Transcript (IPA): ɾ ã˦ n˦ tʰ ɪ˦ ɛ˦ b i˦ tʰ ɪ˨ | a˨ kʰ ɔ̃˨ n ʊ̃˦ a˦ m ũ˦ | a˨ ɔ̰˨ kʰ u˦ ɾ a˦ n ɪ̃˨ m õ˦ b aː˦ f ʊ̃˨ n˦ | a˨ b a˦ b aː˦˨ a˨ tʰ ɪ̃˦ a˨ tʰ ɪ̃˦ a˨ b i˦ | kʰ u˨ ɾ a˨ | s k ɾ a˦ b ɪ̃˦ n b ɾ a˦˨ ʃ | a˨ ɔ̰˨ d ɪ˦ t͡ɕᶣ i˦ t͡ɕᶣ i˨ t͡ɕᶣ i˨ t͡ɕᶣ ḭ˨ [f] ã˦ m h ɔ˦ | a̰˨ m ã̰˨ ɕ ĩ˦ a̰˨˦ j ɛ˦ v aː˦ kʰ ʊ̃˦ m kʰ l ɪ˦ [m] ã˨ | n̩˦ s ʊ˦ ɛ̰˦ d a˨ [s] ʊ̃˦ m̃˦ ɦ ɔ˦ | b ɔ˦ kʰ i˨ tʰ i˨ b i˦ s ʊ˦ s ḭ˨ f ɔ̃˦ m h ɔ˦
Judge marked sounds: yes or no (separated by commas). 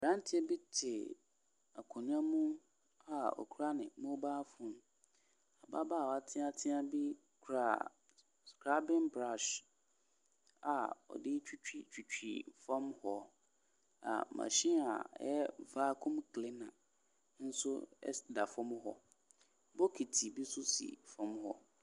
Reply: yes, no, no